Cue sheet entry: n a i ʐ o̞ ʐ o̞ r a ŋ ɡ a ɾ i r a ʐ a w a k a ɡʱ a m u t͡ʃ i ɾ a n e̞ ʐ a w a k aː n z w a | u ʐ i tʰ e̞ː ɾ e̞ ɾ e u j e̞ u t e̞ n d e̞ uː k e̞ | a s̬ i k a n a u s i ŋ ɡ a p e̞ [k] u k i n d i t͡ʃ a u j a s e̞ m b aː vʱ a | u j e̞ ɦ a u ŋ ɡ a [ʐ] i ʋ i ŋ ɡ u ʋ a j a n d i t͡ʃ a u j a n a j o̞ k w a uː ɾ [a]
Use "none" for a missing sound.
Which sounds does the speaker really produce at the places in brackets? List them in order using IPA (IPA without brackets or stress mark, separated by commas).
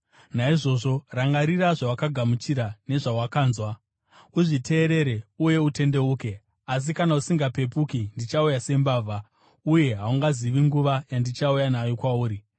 p, z, i